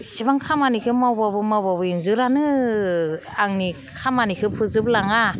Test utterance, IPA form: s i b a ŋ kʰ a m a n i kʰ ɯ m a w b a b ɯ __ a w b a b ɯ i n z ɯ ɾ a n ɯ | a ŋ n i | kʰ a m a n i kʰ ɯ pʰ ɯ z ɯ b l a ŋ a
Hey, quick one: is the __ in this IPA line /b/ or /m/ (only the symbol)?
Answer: m